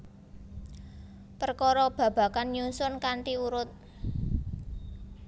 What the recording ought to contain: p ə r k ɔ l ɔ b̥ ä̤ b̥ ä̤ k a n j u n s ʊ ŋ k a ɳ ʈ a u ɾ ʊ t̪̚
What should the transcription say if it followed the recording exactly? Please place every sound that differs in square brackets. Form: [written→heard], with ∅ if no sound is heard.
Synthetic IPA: p ə r k ɔ [l→ɾ] ɔ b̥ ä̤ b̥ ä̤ k a n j u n s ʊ [ŋ→n] k a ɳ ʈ [a→i] u ɾ ʊ t̪̚